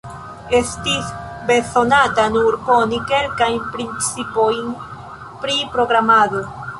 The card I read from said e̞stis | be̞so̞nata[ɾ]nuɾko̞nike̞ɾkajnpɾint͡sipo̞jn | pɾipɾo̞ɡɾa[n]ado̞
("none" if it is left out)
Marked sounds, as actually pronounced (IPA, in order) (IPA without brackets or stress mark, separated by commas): none, m